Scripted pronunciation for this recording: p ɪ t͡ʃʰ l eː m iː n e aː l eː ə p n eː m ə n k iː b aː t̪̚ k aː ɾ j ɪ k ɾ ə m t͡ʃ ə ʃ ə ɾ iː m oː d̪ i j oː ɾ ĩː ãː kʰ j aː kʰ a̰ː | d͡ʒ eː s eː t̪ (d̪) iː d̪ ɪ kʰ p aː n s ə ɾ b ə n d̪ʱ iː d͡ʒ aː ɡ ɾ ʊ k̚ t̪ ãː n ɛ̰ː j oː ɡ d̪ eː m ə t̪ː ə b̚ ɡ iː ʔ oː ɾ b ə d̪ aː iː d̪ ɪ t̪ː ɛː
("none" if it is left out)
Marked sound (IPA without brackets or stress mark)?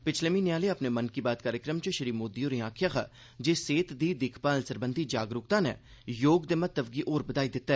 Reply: d̪